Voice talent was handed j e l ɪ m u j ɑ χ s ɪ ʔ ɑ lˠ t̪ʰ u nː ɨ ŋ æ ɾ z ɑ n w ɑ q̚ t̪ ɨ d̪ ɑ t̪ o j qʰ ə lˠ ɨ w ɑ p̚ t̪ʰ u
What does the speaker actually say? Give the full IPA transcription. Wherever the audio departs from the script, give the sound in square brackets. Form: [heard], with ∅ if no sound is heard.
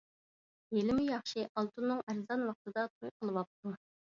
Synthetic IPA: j e l ɪ m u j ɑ χ [ʃ] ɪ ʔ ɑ lˠ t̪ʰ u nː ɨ ŋ æ ɾ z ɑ n w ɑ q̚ t̪ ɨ d̪ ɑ [t̪ʰ] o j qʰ ə lˠ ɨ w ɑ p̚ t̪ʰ u

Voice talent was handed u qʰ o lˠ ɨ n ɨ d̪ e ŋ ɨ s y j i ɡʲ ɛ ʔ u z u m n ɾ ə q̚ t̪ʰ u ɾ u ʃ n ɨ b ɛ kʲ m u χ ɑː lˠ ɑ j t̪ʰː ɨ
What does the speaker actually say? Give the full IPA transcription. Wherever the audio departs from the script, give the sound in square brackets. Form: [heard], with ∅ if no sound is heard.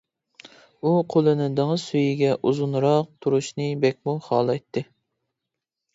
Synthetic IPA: u qʰ o lˠ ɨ n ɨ d̪ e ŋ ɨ s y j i ɡʲ ɛ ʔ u z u [∅] n ɾ [ɑ] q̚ t̪ʰ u ɾ u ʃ n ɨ b ɛ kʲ m u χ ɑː lˠ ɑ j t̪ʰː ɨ

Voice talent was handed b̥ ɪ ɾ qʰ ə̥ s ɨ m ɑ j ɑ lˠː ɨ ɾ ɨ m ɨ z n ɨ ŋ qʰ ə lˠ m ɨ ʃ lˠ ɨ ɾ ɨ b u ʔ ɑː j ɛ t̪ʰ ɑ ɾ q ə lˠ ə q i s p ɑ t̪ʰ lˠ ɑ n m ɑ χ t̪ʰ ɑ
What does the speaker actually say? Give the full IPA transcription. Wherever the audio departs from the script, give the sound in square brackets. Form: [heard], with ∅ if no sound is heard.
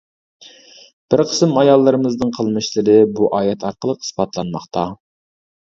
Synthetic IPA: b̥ ɪ ɾ qʰ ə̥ s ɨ m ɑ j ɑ lˠː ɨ ɾ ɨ m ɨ z n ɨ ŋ qʰ ə lˠ m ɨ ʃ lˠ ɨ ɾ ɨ b u ʔ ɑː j ɛ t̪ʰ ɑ ɾ q ə lˠ ə q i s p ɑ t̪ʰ lˠ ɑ n m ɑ χ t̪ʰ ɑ

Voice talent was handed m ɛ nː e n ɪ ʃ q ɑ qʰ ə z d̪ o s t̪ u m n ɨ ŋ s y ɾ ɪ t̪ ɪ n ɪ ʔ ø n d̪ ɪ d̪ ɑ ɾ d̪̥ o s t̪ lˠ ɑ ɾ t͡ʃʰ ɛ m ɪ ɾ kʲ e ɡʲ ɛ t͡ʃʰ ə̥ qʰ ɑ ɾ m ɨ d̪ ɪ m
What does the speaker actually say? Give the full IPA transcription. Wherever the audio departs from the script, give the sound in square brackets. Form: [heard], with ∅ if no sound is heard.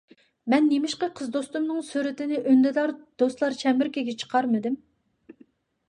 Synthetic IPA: m ɛ nː e [m] ɪ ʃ q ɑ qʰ ə z d̪ o s t̪ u m n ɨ ŋ s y ɾ ɪ t̪ ɪ n ɪ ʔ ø n d̪ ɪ d̪ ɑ ɾ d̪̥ o s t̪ lˠ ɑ ɾ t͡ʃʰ ɛ m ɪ ɾ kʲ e ɡʲ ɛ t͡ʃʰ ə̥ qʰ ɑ ɾ m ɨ d̪ ɪ m

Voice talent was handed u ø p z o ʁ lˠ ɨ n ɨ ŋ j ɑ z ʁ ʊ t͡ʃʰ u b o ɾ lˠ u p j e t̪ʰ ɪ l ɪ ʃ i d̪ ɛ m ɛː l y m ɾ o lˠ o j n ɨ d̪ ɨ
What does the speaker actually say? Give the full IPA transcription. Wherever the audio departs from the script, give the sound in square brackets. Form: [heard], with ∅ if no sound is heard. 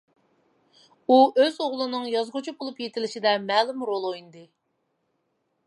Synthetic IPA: u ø [∅] z o ʁ lˠ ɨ n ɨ ŋ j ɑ z ʁ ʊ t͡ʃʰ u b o [∅] lˠ u p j e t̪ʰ ɪ l ɪ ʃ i d̪ ɛ m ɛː l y m ɾ o lˠ o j n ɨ d̪ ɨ

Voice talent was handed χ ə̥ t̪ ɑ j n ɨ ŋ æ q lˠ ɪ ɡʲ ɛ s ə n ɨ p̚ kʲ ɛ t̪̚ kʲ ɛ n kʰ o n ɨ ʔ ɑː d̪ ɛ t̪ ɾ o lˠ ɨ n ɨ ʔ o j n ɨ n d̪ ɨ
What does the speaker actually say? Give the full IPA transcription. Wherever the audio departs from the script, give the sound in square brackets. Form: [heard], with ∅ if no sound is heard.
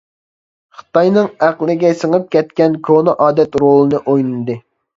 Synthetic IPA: χ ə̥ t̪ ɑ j n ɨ ŋ æ q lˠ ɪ ɡʲ ɛ s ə [ŋ] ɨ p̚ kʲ ɛ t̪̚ kʲ ɛ n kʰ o n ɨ ʔ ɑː d̪ ɛ t̪ ɾ o lˠ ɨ n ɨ ʔ o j n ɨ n d̪ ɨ

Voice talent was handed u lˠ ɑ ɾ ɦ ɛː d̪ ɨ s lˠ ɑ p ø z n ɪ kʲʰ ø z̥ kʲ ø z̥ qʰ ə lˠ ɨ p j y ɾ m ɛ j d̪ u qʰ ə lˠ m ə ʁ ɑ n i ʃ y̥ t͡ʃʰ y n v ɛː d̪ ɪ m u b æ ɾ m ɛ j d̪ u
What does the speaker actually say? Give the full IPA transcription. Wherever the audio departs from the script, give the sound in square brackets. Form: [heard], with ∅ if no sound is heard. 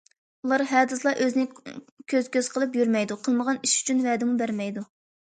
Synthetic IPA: u lˠ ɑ ɾ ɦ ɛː d̪ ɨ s lˠ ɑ [ʔ] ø z n ɪ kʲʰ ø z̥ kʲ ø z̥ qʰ ə lˠ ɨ p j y ɾ m ɛ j d̪ u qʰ ə lˠ m ə ʁ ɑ n i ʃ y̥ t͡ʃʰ y n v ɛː d̪ ɪ m u b æ ɾ m ɛ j d̪ u

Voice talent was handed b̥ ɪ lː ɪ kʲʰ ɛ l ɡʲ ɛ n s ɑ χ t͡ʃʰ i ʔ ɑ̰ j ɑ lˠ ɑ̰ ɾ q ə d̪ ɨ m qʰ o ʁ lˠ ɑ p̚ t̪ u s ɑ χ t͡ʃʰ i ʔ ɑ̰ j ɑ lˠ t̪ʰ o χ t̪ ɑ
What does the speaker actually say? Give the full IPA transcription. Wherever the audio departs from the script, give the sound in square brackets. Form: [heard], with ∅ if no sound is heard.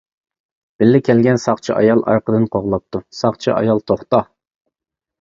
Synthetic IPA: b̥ ɪ lː ɪ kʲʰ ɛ l ɡʲ ɛ n s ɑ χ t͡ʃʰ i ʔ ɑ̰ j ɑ lˠ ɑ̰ ɾ q ə d̪ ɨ [n] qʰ o ʁ lˠ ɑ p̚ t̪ u s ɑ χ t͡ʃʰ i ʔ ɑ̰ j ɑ lˠ t̪ʰ o χ t̪ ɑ

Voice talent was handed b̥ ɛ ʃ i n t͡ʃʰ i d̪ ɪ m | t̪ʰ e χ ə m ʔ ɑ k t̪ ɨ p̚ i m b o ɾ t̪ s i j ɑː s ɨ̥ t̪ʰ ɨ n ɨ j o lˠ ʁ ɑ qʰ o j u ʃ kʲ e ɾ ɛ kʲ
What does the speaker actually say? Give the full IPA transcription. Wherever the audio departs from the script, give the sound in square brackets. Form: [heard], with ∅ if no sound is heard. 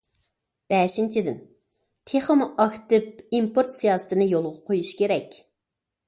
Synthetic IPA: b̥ ɛ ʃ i n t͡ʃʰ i d̪ ɪ [n] | t̪ʰ e χ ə m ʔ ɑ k t̪ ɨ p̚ i m [p] o ɾ t̪ s i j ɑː s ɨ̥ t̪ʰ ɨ n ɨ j o lˠ ʁ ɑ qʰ o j u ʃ kʲ e ɾ ɛ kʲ

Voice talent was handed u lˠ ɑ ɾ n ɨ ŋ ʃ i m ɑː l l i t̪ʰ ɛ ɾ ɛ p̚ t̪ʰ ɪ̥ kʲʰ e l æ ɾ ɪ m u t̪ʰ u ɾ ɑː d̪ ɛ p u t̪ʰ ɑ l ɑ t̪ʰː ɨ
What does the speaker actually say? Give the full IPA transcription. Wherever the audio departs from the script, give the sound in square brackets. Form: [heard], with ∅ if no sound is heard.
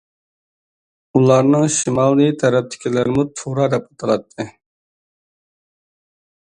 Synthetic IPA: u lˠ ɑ ɾ n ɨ ŋ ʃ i m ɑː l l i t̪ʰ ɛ ɾ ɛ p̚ t̪ʰ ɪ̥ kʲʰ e l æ ɾ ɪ m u t̪ʰ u ɾ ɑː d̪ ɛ p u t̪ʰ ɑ l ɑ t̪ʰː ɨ

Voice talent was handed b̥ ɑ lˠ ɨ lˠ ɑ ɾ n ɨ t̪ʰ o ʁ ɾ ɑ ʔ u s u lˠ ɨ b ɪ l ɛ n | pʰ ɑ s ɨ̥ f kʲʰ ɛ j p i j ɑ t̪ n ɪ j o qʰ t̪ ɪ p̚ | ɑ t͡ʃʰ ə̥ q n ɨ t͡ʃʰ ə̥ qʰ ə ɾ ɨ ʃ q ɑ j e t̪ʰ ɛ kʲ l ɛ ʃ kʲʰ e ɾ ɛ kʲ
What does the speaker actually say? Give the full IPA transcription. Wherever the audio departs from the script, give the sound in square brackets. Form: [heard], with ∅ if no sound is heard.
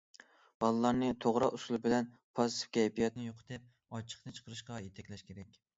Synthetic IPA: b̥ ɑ lˠ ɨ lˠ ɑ ɾ n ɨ t̪ʰ o ʁ ɾ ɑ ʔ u s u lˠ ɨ b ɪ l ɛ n | pʰ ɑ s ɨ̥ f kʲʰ ɛ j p i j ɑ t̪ n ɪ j o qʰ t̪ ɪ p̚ | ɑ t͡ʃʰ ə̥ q n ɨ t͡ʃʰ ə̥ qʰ ə ɾ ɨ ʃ q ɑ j e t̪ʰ ɛ kʲ l ɛ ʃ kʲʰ e ɾ ɛ kʲ

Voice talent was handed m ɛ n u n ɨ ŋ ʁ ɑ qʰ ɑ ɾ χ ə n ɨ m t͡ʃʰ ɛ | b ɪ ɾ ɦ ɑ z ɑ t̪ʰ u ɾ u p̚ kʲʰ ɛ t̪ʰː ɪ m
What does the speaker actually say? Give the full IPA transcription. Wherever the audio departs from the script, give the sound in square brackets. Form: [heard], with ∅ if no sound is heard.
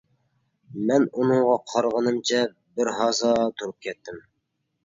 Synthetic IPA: m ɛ n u n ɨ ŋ ʁ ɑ qʰ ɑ ɾ [ʁ] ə n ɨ m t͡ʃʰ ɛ | b ɪ ɾ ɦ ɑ z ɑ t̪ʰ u ɾ u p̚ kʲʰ ɛ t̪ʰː ɪ m

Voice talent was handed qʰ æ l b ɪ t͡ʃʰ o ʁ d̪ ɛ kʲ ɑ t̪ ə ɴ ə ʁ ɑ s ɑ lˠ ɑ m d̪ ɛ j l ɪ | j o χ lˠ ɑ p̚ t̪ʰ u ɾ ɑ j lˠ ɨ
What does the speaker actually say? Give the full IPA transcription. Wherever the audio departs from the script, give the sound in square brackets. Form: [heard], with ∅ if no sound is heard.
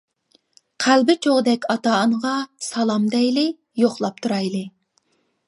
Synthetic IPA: qʰ æ l b ɪ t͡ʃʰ o ʁ d̪ ɛ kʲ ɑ t̪ [ɑ] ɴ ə ʁ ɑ s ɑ lˠ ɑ m d̪ ɛ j l ɪ | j o χ lˠ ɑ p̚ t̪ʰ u ɾ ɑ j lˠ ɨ

